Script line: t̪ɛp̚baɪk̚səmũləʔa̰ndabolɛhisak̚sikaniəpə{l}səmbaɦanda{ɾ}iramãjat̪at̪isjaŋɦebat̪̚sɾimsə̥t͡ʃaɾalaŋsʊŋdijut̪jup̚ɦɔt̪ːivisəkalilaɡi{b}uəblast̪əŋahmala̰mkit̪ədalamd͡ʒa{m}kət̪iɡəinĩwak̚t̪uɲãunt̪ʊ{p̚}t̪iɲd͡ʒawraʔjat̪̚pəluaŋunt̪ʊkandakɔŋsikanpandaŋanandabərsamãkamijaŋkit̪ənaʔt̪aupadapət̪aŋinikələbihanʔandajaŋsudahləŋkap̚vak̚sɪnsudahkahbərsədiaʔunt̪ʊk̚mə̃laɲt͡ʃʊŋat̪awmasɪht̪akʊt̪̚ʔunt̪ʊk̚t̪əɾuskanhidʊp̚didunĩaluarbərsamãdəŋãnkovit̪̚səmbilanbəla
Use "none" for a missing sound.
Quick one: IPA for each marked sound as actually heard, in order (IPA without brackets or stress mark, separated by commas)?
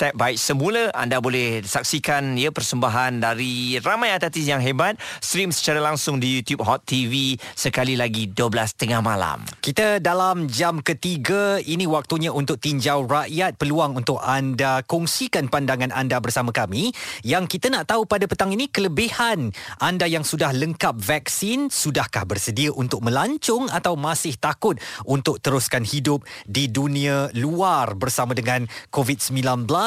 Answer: r, ɾ, d, m, k̚